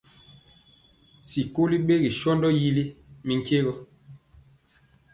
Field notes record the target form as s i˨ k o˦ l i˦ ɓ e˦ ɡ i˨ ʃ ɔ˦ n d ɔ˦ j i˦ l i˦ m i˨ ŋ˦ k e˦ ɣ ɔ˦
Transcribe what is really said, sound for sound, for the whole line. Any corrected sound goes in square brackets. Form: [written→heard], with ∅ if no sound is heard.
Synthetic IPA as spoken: s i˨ k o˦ l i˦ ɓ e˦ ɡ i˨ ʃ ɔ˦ n d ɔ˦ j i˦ l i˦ m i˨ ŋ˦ k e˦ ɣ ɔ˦